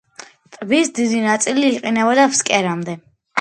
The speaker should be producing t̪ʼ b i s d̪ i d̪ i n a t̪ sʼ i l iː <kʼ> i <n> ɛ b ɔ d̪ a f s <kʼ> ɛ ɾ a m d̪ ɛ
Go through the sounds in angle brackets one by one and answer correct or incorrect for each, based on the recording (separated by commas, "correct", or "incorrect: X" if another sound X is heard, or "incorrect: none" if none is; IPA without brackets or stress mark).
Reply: incorrect: qʼ, correct, correct